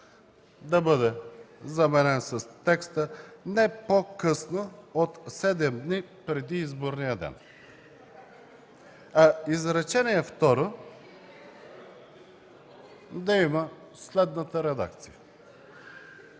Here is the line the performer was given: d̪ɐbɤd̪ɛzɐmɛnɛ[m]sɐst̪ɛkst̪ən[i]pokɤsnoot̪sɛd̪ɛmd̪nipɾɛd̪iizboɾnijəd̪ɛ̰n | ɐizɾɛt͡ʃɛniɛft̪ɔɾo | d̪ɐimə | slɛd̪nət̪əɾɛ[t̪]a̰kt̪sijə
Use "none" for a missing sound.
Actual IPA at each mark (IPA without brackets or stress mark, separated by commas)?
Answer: n, ɛ, d̪